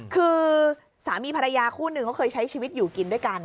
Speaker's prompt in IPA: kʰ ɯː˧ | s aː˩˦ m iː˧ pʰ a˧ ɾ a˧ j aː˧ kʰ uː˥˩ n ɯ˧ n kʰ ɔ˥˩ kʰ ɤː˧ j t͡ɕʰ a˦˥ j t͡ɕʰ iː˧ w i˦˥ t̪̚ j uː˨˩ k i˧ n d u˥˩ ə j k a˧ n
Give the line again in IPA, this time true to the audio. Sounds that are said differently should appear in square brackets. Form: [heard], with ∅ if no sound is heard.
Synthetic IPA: kʰ ɯː˧ | s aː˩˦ m iː˧ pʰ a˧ ɾ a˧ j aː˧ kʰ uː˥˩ n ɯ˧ [ŋ] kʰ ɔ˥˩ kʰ ɤː˧ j t͡ɕʰ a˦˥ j t͡ɕʰ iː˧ w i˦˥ t̪̚ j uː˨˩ k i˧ n d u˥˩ ə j k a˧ n